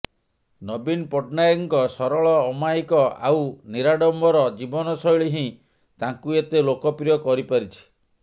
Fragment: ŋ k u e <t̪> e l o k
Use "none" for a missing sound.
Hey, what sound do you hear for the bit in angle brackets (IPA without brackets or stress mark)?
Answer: t̪